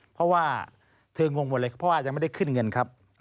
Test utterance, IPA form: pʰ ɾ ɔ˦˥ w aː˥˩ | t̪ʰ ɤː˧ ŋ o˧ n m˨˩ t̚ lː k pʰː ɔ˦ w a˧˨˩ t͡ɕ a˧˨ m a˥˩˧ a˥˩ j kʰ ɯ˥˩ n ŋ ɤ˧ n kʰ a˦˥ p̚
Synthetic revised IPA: pʰ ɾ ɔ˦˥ w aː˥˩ | t̪ʰ ɤː˧ ŋ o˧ ŋ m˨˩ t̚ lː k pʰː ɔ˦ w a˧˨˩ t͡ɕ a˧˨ m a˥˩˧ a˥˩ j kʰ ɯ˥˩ n ŋ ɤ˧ n kʰ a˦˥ p̚